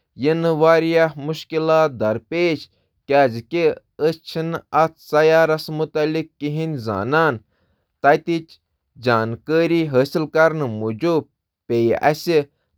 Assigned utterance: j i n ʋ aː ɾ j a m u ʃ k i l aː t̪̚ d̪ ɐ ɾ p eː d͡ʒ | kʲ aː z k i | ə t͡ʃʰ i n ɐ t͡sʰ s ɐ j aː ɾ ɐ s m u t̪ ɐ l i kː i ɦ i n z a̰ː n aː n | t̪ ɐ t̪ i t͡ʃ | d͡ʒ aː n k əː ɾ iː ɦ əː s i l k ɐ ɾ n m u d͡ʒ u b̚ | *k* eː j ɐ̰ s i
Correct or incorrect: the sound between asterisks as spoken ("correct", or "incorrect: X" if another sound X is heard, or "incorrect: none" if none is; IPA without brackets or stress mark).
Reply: incorrect: p